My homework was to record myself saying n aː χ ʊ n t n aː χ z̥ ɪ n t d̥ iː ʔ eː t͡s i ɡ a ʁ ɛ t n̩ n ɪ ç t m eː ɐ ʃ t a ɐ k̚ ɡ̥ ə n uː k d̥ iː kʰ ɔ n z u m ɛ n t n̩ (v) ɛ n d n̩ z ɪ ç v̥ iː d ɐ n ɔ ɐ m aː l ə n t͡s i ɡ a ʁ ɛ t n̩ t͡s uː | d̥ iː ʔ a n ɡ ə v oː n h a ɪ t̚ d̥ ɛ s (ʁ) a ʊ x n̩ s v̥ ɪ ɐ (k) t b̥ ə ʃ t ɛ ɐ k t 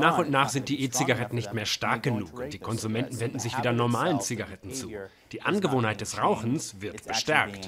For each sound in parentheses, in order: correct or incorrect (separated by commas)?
correct, correct, incorrect